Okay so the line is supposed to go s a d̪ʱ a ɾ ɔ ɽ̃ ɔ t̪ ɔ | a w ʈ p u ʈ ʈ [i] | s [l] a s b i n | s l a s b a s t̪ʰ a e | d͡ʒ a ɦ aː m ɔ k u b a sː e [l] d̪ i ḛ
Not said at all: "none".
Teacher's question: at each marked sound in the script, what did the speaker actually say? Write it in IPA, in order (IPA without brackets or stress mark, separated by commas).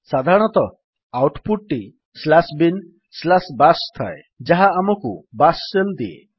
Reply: i, l, l